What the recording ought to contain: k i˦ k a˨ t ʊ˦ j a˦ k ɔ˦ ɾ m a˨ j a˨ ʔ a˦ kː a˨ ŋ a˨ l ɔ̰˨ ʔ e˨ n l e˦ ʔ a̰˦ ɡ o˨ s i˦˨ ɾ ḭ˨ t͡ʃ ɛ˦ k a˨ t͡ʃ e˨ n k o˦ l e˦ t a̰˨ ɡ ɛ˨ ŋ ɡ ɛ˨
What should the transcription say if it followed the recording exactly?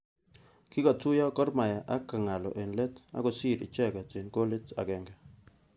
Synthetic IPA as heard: k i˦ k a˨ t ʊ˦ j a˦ k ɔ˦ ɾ m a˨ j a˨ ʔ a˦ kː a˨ ŋ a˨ l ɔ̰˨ ʔ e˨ n l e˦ t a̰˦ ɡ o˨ s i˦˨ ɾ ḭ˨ t͡ʃ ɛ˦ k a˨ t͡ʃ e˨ n k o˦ l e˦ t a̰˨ ɡ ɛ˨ ŋ ɡ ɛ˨